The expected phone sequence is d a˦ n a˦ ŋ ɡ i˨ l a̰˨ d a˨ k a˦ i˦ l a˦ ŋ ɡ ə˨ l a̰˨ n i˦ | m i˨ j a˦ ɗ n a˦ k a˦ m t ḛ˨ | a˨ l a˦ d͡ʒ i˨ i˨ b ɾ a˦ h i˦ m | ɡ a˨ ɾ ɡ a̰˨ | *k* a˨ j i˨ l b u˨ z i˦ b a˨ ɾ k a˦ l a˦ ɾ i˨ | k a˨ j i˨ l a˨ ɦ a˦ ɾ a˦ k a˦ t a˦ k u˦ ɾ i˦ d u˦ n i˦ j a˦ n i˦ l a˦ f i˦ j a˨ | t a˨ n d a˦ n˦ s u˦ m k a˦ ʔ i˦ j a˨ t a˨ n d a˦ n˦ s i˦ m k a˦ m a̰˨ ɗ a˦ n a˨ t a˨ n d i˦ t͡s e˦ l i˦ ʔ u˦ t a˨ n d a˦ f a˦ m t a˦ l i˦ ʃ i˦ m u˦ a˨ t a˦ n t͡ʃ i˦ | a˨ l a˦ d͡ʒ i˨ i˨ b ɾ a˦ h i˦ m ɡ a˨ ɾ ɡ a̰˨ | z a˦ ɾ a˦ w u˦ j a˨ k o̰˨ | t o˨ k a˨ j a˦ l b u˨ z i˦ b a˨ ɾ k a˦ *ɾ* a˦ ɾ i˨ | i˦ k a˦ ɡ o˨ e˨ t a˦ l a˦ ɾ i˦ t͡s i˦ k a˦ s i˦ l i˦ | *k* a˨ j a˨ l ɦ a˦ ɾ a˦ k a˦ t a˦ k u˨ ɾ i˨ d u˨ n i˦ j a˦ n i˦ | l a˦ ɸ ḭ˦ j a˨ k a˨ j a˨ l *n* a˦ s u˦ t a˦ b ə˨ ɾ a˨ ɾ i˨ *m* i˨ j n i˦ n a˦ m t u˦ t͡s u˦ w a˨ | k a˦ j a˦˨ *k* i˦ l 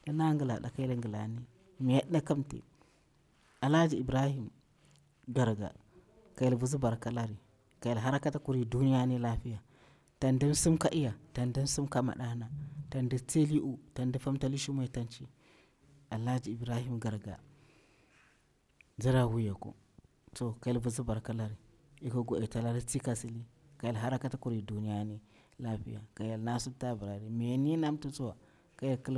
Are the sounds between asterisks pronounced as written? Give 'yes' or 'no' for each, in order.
yes, no, yes, yes, yes, yes

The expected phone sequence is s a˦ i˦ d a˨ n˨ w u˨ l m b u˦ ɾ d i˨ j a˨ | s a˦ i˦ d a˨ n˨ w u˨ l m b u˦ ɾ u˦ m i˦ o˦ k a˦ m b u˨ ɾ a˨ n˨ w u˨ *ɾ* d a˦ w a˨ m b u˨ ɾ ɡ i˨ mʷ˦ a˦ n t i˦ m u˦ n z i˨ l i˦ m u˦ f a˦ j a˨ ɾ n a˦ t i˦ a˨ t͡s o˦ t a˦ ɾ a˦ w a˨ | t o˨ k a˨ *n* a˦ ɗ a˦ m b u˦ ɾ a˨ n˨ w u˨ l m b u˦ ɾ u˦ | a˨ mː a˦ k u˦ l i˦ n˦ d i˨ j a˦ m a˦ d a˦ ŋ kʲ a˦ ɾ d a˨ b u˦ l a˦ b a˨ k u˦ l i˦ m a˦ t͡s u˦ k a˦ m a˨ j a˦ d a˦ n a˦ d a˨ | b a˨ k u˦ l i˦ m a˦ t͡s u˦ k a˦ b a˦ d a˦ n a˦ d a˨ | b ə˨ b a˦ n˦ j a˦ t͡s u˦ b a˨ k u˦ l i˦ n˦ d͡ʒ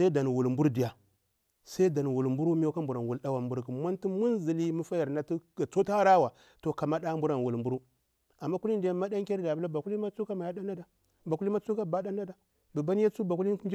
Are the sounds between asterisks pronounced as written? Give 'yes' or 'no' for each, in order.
no, no

